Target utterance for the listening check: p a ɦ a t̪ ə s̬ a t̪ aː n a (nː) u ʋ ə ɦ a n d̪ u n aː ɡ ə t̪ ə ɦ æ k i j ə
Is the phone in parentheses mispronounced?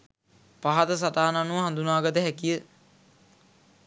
yes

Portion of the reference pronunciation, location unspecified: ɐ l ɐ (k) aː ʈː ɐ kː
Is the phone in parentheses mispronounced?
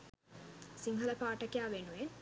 yes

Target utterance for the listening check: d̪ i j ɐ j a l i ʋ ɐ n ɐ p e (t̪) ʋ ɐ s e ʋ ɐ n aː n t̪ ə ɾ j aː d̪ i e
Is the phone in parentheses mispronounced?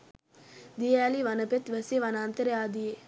no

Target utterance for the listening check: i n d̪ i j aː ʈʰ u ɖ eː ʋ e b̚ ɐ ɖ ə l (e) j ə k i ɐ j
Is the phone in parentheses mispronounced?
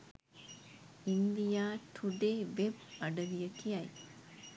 yes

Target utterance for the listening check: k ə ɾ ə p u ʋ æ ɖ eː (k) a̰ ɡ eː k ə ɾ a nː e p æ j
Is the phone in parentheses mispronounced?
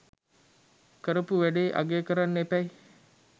yes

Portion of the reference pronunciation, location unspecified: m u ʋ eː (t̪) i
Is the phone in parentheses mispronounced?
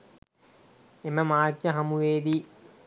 yes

